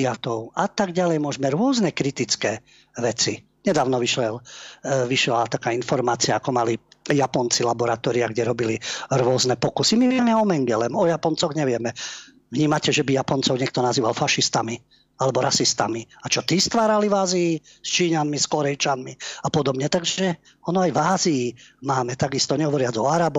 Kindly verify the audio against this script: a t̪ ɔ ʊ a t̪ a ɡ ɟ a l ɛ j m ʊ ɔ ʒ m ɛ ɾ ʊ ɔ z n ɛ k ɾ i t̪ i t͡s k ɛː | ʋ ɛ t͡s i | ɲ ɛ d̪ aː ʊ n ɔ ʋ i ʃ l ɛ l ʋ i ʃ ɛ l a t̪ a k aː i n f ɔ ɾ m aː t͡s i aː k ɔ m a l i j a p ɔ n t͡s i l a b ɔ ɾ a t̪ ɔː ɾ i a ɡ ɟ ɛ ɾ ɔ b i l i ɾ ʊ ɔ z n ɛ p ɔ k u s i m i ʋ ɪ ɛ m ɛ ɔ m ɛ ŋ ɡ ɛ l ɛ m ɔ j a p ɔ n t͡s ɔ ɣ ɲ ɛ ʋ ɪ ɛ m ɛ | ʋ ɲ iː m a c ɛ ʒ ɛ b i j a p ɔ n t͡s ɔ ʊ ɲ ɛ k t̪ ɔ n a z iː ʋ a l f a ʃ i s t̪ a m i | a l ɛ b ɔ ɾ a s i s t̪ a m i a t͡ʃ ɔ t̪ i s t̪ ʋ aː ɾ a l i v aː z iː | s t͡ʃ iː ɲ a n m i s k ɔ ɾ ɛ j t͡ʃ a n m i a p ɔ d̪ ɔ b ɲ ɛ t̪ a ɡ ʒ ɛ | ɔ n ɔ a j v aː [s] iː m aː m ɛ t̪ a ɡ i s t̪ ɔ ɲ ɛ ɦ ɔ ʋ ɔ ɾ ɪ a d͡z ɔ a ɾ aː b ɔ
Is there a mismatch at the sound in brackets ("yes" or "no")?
yes